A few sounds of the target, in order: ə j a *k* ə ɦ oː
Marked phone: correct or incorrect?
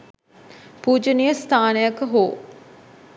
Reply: correct